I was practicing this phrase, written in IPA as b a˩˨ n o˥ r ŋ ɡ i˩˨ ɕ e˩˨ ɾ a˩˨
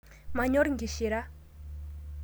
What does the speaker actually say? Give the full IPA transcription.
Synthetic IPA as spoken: m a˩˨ ɲ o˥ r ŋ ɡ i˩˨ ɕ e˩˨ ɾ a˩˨